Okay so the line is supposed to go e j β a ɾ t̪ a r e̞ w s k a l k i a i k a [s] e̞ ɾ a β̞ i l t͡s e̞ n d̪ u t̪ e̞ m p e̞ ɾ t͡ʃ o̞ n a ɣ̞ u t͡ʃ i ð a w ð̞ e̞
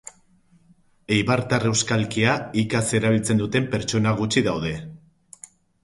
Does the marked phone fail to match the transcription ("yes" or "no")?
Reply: no